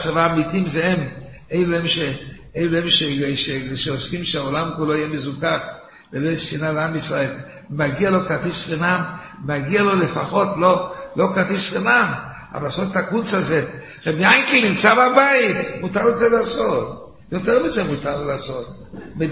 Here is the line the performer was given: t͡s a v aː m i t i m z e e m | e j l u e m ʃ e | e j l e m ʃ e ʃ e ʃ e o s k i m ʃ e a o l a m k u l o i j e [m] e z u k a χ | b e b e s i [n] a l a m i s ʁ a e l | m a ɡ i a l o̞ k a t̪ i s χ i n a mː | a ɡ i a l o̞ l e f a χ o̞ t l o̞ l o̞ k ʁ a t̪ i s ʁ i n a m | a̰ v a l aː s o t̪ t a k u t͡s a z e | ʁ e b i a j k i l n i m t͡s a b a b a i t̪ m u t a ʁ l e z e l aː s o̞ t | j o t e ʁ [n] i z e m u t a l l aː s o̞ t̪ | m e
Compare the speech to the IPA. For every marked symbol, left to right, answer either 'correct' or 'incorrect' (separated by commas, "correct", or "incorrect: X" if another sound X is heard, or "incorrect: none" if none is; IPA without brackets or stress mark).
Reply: correct, correct, incorrect: m